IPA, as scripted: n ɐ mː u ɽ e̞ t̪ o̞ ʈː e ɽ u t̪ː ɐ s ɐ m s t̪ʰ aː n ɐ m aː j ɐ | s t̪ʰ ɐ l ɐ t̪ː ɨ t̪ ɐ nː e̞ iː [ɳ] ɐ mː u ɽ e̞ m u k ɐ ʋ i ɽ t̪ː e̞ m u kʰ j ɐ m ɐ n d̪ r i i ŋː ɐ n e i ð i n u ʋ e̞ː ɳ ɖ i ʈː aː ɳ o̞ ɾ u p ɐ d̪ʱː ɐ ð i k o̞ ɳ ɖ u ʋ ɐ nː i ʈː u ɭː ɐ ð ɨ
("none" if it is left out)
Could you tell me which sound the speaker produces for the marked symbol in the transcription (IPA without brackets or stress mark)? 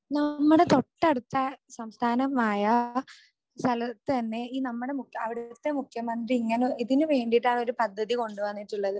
n